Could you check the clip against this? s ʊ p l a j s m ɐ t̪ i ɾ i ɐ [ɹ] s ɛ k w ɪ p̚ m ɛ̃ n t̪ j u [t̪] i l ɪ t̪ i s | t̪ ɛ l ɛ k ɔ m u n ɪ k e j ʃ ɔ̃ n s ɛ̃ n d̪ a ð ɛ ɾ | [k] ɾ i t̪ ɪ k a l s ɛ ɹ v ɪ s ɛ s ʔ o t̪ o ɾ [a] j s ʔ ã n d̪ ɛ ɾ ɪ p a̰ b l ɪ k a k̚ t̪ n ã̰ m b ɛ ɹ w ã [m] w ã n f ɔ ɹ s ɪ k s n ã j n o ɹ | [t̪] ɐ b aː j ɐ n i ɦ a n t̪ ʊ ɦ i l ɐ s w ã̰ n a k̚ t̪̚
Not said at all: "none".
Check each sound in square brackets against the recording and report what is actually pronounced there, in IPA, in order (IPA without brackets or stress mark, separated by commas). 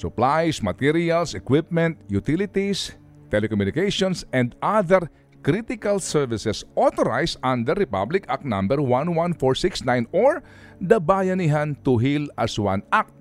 l, t̪, k, a, n, d̪